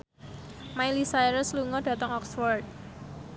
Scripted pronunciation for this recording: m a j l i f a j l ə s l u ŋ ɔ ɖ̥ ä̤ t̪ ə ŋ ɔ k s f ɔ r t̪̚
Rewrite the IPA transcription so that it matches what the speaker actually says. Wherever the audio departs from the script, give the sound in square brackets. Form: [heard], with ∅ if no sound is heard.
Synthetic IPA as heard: m a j l i [s] a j [ɾ] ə s l u ŋ ɔ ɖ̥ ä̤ t̪ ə ŋ ɔ k s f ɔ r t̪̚